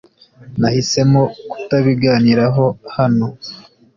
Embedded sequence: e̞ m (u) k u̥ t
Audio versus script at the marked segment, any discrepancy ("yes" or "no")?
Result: yes